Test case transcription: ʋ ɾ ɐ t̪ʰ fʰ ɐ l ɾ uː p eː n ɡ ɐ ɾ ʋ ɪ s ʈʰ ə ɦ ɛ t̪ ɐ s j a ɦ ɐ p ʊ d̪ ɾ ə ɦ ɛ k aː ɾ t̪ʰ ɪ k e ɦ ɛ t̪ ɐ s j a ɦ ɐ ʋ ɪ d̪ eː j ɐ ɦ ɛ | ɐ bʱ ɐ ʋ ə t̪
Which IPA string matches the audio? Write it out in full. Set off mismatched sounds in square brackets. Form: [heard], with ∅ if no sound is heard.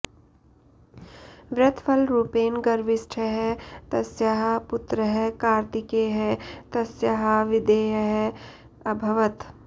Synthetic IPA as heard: ʋ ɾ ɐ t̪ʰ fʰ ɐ l ɾ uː p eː n ɡ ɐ ɾ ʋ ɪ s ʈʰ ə ɦ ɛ t̪ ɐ s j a ɦ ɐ p ʊ [t̪] ɾ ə ɦ ɛ k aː ɾ [t̪] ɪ k e ɦ ɛ t̪ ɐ s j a ɦ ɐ ʋ ɪ d̪ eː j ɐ ɦ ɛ | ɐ bʱ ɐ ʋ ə t̪